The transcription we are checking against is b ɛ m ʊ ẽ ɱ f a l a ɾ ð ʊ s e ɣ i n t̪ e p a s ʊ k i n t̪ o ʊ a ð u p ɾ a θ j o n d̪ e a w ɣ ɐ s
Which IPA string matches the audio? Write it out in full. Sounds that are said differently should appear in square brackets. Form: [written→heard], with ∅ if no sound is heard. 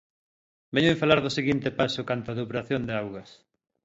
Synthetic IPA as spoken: b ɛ [m→ɲ] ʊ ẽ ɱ f a l a ɾ ð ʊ s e ɣ i n t̪ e p a s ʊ k [i→a] n t̪ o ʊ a ð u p ɾ a θ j o n d̪ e a w ɣ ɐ s

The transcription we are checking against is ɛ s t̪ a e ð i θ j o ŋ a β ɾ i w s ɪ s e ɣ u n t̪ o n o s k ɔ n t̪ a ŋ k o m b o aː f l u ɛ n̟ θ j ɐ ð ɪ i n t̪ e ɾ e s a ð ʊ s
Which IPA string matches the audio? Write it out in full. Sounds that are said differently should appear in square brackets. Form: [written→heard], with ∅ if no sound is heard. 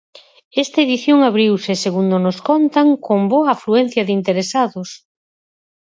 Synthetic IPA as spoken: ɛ s t̪ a e ð i θ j o ŋ a β ɾ i w s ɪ s e ɣ u n [t̪→d̪] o n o s k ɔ n t̪ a ŋ k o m b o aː f l u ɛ n̟ θ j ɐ ð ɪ i n t̪ e ɾ e s a ð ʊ s

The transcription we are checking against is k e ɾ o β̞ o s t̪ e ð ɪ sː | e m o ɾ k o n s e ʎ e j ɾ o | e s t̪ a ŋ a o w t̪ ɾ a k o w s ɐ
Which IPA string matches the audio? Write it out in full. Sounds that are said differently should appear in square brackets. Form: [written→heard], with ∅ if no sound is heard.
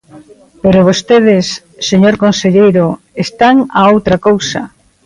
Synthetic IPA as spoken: [k→p] e ɾ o β̞ o s t̪ e ð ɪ sː | e [m→ɲ] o ɾ k o n s e ʎ e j ɾ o | e s t̪ a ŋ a o w t̪ ɾ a k o w s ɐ

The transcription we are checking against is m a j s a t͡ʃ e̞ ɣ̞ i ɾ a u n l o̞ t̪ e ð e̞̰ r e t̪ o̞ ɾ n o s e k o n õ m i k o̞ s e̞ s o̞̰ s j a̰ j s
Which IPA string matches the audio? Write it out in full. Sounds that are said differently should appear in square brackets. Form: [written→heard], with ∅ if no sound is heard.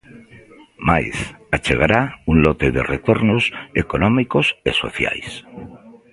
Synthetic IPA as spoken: m a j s a t͡ʃ e̞ ɣ̞ [i→a] ɾ a u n l o̞ t̪ e ð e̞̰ r e t̪ o̞ ɾ n o s e k o n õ m i k o̞ s e̞ s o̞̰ [s→θ] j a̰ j s

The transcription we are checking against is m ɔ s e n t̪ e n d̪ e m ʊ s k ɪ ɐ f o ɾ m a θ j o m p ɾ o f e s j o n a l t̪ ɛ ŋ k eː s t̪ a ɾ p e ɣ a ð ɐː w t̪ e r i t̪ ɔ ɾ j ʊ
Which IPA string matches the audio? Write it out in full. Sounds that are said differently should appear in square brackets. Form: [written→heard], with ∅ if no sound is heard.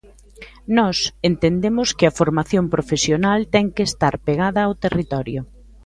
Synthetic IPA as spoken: [m→n] ɔ s e n t̪ e n d̪ e m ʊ s k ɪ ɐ f o ɾ m a θ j o m p ɾ o f e s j o n a l t̪ ɛ ŋ k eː s t̪ a ɾ p e ɣ a ð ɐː w t̪ e r i t̪ ɔ ɾ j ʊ

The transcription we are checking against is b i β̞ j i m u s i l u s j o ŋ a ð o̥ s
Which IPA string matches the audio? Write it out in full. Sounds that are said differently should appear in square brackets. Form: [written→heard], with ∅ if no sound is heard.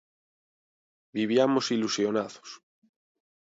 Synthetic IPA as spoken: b i β̞ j [i→a] m [u→o] s i l u s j o [ŋ→n] a ð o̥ s

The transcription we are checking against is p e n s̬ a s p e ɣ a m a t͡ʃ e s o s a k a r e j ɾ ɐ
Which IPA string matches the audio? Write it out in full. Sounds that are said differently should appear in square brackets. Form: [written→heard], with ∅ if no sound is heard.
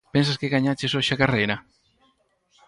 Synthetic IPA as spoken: p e n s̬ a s [p→k] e ɣ a [m→ɲ] a t͡ʃ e s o [s→ʃ] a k a r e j ɾ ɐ

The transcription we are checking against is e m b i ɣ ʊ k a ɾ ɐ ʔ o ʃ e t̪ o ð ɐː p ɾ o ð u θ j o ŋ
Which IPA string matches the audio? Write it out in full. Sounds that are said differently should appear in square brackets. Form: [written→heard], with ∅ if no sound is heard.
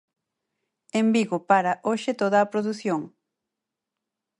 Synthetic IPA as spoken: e m b i ɣ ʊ [k→p] a ɾ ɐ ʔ o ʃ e t̪ o ð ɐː p ɾ o ð u θ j o ŋ

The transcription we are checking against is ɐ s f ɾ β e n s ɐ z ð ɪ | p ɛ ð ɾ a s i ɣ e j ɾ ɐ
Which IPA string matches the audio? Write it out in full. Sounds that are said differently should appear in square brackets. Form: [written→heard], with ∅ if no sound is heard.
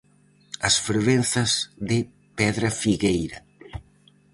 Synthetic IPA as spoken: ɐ s f ɾ β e n [s→θ] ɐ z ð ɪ | p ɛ ð ɾ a [s→f] i ɣ e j ɾ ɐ

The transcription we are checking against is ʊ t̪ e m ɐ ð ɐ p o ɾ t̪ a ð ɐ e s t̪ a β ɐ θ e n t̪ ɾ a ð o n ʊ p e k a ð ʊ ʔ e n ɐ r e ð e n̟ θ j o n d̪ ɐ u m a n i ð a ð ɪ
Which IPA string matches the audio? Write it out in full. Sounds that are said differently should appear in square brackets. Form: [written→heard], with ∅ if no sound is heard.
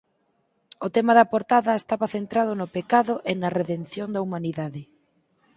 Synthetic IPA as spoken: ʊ t̪ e m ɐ ð ɐ p o ɾ t̪ a ð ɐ e s t̪ a β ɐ θ e n t̪ ɾ a ð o n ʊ p e k a ð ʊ ʔ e n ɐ r e ð e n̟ θ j o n d̪ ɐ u m a n i ð a ð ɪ

